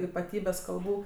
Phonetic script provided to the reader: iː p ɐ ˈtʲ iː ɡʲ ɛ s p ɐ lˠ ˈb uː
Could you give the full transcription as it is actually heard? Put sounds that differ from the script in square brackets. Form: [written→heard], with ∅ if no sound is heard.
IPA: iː p ɐ ˈtʲ iː [ɡʲ→bʲ] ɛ s [p→k] ɐ lˠ ˈb uː